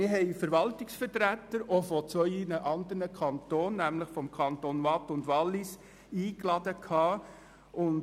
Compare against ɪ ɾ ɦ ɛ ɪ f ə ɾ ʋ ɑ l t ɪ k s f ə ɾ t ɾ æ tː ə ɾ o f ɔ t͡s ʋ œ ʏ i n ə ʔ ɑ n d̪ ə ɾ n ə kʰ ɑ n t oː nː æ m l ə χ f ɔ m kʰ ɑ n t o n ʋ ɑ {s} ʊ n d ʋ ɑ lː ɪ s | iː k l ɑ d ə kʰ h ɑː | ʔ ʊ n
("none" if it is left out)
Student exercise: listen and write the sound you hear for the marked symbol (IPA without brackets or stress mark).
t